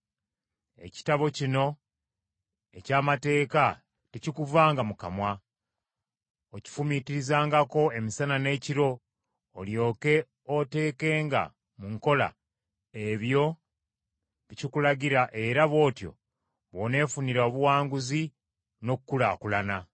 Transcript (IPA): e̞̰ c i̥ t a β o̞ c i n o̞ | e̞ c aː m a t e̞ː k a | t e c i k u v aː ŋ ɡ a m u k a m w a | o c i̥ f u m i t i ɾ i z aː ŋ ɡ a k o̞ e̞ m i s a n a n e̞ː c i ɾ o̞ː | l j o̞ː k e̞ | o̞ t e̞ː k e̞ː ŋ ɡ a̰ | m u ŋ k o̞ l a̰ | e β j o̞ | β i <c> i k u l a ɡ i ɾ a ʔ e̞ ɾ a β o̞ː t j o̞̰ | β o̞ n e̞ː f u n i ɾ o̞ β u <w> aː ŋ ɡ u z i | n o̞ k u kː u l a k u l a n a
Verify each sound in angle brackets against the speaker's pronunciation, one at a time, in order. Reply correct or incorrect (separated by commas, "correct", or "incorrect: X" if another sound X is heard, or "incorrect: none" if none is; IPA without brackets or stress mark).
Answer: correct, correct